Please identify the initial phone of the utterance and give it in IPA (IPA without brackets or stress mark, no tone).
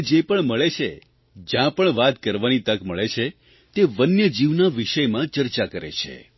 d͡ʒ